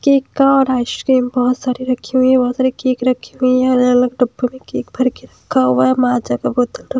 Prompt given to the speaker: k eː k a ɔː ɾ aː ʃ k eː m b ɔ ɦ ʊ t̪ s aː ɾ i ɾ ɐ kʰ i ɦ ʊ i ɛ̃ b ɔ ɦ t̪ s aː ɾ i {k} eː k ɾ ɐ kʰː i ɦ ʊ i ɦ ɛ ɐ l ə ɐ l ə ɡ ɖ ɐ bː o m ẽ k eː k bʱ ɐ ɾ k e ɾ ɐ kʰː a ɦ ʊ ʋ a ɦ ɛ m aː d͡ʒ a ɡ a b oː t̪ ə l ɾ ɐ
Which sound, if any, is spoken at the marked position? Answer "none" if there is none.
k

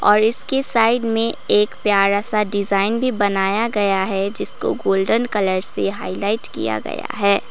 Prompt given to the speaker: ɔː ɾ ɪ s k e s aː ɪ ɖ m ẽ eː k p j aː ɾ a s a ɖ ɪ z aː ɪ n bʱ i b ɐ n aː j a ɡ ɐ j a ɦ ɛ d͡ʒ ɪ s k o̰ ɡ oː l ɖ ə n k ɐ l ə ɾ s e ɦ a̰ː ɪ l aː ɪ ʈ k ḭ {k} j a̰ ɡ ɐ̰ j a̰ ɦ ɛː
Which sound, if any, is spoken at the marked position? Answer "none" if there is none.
none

